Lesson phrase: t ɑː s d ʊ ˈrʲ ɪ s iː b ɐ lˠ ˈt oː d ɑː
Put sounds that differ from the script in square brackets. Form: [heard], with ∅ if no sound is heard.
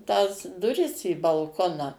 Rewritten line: t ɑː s d ʊ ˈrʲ ɪ s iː b ɐ lˠ [ˈk] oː [n] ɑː